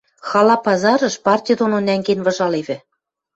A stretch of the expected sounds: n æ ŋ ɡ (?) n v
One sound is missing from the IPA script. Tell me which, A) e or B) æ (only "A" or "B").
A